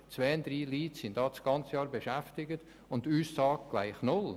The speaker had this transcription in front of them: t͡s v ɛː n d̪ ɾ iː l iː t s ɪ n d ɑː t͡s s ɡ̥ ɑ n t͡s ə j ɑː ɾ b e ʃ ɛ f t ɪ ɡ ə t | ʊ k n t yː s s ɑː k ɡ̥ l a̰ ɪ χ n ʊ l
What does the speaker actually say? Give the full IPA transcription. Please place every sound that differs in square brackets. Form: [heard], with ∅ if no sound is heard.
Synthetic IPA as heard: t͡s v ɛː n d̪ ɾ iː l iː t s ɪ n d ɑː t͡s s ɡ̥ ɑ n t͡s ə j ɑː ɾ b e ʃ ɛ f t ɪ ɡ ə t | ʊ [∅] n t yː s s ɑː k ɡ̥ l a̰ ɪ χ n ʊ l